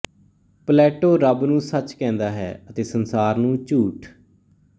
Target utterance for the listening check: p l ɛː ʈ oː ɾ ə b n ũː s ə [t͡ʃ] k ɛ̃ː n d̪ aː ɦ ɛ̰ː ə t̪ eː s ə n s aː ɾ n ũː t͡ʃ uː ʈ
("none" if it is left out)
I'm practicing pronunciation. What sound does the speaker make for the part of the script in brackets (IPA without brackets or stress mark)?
t͡ʃ